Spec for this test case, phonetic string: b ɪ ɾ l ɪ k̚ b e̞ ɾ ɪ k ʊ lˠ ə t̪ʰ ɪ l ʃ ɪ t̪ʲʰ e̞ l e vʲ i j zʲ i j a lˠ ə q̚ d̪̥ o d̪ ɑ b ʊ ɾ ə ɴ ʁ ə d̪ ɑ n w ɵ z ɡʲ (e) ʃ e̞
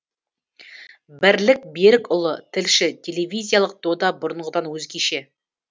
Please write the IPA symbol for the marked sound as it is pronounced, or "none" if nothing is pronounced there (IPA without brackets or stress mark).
e